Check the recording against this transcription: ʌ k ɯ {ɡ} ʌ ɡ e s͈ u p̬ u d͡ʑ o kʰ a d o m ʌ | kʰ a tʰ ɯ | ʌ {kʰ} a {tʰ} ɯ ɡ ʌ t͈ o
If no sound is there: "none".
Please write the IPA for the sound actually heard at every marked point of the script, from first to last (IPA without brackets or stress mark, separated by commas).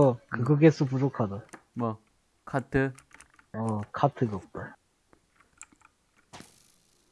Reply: ɡ, kʰ, tʰ